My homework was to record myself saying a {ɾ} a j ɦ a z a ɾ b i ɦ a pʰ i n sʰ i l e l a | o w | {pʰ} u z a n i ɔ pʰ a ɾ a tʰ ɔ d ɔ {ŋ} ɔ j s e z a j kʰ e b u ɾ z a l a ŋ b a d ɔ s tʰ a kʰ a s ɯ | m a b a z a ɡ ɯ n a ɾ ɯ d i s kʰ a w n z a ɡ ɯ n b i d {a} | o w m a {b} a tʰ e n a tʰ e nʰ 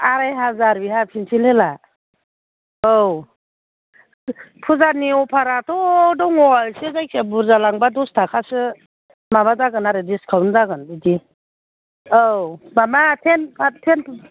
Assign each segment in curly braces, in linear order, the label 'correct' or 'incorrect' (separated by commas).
correct, correct, correct, incorrect, incorrect